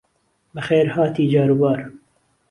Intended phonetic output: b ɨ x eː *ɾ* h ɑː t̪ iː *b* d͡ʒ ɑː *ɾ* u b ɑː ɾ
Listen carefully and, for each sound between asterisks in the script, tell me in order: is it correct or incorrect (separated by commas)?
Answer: correct, incorrect, correct